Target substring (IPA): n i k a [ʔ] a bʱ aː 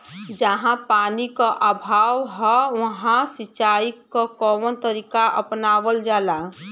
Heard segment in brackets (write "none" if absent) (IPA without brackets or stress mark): ʔ